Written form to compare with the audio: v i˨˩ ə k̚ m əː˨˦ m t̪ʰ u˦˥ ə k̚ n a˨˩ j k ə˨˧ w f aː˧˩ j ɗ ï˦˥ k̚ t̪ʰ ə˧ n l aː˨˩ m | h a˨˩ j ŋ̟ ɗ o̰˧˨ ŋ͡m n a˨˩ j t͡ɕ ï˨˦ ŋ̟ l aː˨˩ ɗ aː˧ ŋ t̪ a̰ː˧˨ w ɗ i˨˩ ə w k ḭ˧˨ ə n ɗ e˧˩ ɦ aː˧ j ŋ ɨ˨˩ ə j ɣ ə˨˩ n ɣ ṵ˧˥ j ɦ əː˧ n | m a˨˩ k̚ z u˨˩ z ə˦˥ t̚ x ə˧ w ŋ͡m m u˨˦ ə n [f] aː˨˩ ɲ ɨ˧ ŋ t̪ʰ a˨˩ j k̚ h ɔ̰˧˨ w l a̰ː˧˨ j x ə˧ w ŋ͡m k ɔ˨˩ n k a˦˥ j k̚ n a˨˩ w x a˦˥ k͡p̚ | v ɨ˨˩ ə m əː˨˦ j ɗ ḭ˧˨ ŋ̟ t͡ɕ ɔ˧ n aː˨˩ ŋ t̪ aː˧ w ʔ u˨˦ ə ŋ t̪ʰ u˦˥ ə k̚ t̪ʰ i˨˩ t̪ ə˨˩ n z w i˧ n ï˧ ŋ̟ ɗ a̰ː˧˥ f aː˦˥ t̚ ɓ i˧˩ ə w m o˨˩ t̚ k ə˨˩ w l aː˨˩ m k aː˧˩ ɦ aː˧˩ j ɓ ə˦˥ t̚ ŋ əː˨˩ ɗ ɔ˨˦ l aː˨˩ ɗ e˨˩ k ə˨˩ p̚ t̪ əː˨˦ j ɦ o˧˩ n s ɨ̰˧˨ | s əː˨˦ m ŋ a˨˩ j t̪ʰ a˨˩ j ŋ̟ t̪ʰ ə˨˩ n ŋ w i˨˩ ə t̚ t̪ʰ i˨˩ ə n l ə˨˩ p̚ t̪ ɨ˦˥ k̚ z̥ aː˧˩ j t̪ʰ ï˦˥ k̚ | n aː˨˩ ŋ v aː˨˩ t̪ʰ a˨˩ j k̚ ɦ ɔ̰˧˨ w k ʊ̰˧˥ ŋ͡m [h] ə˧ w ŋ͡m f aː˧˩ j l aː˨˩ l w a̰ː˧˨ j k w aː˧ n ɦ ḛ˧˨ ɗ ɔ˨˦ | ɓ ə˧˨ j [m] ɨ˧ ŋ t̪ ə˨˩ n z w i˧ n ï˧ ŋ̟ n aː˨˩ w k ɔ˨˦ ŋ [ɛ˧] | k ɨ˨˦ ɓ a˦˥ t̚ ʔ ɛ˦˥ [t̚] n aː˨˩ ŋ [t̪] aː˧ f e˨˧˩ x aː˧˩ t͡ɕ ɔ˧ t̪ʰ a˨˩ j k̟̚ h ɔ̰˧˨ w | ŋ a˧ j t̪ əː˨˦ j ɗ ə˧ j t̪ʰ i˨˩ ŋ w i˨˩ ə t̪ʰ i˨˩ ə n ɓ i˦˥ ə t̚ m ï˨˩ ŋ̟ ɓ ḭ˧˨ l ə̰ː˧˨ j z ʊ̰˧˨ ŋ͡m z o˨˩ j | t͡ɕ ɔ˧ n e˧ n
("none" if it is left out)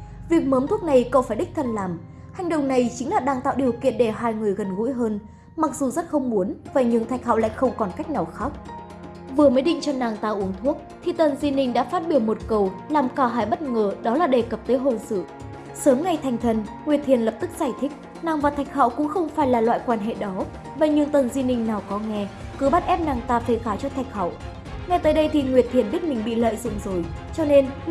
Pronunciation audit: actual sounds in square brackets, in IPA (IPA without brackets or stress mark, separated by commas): v, x, ɲ, ɛ˧, p̚, t̪